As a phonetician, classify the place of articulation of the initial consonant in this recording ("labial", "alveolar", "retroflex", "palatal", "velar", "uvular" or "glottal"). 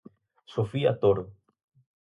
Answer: alveolar